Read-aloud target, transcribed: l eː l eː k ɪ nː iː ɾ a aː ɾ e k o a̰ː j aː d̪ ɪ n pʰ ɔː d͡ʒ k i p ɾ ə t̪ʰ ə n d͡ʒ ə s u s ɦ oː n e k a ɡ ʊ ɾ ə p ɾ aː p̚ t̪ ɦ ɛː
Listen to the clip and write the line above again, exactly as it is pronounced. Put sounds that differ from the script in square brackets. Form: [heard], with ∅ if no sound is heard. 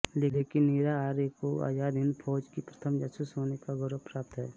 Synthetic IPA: l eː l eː k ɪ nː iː ɾ a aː ɾ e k o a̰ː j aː d̪ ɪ n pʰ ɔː d͡ʒ k i p ɾ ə t̪ʰ ə [m] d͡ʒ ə s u s ɦ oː n e k a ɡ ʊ ɾ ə p ɾ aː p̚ t̪ ɦ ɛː

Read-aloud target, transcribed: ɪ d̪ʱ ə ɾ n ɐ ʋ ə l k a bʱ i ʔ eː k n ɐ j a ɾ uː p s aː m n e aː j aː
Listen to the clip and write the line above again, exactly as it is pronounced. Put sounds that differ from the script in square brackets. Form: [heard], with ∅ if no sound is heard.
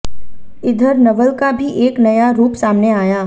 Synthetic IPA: ɪ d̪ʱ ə ɾ n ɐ ʋ ə l k a bʱ i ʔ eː k n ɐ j a ɾ uː p s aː m n e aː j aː

